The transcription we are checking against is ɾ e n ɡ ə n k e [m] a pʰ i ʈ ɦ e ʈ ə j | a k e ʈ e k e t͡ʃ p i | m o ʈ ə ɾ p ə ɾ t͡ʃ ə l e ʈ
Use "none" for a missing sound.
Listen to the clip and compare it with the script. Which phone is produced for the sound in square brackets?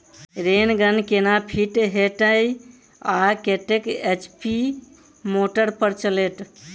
n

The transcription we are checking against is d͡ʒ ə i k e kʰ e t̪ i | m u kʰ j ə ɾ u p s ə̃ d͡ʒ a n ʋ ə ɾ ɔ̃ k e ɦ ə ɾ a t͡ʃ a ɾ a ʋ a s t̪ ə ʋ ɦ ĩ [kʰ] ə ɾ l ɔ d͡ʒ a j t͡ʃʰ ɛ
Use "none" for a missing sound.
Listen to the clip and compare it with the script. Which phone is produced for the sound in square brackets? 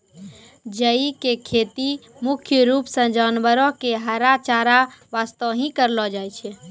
k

